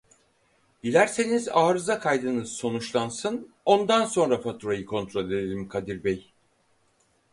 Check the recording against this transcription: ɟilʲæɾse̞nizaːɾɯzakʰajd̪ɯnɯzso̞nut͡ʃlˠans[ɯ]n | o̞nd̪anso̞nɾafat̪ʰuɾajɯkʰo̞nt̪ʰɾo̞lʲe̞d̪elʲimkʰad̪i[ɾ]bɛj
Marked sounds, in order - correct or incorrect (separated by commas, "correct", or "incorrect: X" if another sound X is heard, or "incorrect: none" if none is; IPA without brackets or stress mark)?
correct, correct